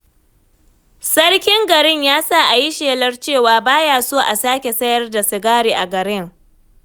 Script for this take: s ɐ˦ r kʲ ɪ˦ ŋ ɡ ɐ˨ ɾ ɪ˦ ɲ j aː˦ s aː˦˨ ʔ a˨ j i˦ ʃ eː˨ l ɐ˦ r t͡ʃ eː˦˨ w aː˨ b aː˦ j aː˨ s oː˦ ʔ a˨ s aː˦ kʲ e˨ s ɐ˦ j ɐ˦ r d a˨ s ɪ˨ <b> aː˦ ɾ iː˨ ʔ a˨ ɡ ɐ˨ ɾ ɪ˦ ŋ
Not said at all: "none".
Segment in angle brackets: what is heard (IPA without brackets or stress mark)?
ɡ